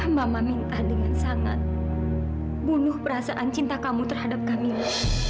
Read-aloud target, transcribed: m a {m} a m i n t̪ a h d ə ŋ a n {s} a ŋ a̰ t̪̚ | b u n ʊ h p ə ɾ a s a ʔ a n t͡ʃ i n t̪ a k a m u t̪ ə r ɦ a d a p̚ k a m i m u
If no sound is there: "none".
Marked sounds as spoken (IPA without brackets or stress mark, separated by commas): m, s